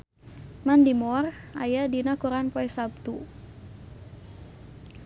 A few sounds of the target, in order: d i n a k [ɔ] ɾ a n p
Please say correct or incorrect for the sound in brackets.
incorrect